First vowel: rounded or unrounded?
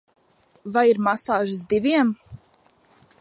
unrounded